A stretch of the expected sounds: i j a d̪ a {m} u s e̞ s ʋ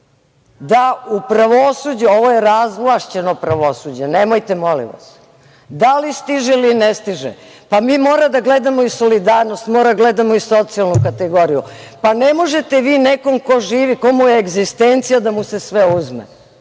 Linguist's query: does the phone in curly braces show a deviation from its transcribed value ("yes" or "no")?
no